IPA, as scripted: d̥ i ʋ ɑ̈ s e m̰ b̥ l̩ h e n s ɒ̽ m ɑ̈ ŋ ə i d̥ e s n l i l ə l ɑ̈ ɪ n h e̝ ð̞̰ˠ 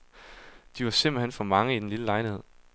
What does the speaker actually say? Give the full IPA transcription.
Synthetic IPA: d̥ i ʋ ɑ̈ s e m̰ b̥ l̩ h e n f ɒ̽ m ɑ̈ ŋ ə i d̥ e n l i l ə l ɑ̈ ɪ n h e̝ ð̞̰ˠ